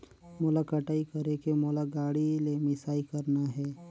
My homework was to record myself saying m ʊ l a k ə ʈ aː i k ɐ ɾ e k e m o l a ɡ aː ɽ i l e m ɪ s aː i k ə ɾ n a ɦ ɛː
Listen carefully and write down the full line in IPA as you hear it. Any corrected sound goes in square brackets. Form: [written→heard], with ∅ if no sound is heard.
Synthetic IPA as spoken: m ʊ l a k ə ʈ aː i k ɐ ɾ e k e m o l a ɡ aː ɽ i l e m ɪ s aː i k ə ɾ n a ɦ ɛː